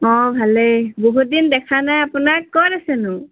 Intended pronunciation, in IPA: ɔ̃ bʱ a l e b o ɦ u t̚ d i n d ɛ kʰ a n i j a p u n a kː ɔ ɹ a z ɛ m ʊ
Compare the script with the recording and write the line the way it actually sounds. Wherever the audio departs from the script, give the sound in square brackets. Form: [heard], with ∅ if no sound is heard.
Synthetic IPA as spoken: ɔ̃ bʱ a l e b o ɦ u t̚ d i n d ɛ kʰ a n [a] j a p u n a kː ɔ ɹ a [s] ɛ [n] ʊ

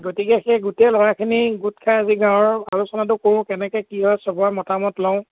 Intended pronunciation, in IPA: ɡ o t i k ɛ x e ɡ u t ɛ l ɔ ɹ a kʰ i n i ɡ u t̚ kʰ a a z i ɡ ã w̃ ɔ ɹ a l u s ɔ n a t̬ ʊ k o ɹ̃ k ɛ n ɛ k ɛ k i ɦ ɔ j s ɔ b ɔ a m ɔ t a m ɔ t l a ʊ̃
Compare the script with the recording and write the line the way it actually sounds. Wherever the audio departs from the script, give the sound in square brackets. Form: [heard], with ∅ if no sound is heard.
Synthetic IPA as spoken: ɡ o t i k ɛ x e ɡ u t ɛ l ɔ ɹ a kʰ i n i ɡ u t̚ kʰ a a z i ɡ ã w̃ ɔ ɹ a l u s ɔ n a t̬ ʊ k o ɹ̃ k ɛ n ɛ k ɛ k i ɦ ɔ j s ɔ b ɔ a m ɔ t a m ɔ t l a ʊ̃

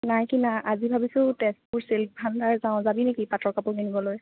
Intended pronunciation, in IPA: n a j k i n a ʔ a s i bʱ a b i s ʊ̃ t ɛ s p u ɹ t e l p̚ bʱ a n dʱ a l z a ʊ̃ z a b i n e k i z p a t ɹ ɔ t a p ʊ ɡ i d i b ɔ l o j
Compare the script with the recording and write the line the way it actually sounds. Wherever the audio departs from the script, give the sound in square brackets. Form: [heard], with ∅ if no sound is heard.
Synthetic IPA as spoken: n a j k i n a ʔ a [z] i bʱ a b i s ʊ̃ t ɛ s p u ɹ [s] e l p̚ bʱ a n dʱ a [ɹ] z a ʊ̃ z a b i n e k i [∅] p a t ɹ ɔ [k] a p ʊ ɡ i [n] i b ɔ l o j

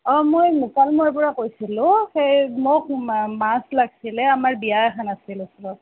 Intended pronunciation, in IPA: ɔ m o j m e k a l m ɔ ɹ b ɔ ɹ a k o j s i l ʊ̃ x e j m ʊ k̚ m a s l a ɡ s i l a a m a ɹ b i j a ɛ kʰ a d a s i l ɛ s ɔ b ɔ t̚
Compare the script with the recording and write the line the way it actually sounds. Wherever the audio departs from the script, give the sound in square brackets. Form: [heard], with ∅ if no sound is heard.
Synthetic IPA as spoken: ɔ m o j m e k a l m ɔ ɹ [p] ɔ ɹ a k o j s i l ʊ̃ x e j m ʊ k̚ m a s l a ɡ s i l [ɛ] a m a ɹ b i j a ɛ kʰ a [n] a s i l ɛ s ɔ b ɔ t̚

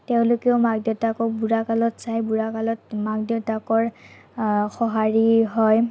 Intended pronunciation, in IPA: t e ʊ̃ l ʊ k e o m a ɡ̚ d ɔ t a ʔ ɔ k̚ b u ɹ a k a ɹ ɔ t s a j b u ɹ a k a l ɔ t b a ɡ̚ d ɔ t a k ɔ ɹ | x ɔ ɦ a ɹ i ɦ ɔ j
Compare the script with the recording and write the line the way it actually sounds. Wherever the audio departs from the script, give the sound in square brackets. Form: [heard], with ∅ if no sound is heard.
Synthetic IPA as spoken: t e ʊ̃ l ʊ k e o m a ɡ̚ d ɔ t a [k] ɔ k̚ b u ɹ a k a [l] ɔ t s a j b u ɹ a k a l ɔ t [m] a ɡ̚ d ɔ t a k ɔ ɹ | x ɔ ɦ a ɹ i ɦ ɔ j

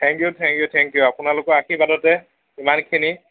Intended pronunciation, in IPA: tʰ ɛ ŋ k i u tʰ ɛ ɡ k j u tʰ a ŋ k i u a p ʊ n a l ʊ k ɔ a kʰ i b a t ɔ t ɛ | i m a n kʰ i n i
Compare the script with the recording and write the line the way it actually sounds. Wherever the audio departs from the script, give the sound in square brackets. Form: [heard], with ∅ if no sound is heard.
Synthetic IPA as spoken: tʰ ɛ ŋ k [j] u tʰ ɛ [ŋ] k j u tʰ [ɛ] ŋ k [j] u a p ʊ n a l ʊ k ɔ a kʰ i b a [d] ɔ t ɛ | i m a n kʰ i n i

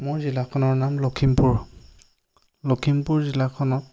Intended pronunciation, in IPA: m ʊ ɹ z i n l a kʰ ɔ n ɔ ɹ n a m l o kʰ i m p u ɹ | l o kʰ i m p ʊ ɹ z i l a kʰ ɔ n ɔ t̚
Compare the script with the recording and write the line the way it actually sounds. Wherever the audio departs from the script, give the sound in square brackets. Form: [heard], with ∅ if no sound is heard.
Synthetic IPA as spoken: m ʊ ɹ z i [∅] l a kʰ ɔ n ɔ ɹ n a m l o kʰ i m p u ɹ | l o kʰ i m p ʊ ɹ z i l a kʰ ɔ n ɔ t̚

